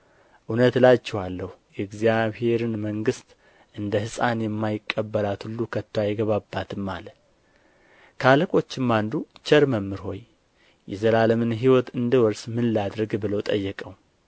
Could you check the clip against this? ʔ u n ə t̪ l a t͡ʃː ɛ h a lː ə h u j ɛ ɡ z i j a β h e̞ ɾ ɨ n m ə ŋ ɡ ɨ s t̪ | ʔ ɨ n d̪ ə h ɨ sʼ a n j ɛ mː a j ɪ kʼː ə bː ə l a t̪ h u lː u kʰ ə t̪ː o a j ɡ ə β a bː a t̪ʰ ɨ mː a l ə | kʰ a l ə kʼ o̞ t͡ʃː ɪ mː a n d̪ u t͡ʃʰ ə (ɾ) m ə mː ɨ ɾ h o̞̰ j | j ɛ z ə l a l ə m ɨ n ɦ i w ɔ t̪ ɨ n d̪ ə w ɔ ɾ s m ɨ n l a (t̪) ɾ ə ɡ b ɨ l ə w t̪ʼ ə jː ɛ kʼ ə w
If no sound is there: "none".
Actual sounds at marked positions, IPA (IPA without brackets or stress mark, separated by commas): ɾ, d̪